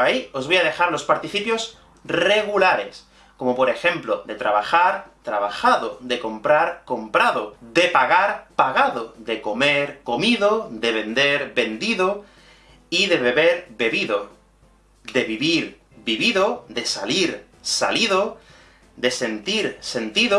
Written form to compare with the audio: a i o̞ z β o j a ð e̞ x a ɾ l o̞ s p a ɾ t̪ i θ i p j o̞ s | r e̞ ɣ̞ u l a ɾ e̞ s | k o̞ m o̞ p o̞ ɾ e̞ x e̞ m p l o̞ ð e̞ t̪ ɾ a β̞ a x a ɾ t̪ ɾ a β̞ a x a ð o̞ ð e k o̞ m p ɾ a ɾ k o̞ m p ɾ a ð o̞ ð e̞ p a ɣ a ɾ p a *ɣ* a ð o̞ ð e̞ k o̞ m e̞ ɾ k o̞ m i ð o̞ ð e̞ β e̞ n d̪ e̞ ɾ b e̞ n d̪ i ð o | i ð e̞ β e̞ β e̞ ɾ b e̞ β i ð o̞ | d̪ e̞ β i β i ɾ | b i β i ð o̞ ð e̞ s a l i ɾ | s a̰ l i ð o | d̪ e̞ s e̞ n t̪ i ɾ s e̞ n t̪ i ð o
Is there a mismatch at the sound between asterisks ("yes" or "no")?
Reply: no